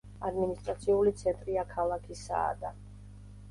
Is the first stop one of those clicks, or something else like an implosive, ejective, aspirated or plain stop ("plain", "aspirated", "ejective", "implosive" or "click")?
plain